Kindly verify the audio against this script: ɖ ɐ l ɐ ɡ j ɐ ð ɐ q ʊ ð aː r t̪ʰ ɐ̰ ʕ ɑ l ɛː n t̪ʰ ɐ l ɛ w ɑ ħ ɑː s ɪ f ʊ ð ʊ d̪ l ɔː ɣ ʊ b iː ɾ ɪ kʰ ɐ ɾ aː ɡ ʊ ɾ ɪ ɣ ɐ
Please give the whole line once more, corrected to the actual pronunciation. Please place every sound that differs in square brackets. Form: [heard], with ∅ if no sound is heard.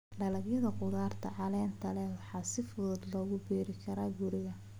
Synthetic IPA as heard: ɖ ɐ l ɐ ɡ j ɐ ð ɐ q ʊ ð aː r t̪ʰ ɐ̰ ʕ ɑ l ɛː n t̪ʰ ɐ l ɛ w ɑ ħ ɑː s ɪ f ʊ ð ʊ d̪ l ɔː ɣ ʊ b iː ɾ ɪ kʰ ɐ ɾ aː ɡ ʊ ɾ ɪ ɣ ɐ